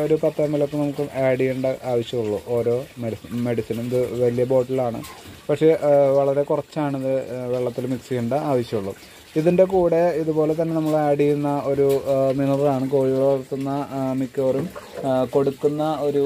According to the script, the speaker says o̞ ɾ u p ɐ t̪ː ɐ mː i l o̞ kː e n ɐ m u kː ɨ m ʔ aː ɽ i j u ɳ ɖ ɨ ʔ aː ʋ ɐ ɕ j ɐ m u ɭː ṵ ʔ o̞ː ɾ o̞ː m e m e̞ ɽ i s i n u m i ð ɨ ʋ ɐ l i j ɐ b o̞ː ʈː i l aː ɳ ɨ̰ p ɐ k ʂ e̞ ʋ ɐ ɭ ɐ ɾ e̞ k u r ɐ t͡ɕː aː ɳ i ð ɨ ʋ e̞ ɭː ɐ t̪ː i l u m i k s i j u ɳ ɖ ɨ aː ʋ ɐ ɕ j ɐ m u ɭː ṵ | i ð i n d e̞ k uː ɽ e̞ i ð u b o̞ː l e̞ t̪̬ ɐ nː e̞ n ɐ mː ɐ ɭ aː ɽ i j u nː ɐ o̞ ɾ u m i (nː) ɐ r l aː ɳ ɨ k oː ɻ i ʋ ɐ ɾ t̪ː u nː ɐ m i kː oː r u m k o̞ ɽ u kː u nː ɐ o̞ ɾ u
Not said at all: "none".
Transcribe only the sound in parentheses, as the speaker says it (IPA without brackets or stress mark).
n